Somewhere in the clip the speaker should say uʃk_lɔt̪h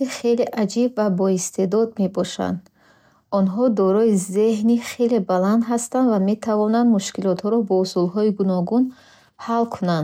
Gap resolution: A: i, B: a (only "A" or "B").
A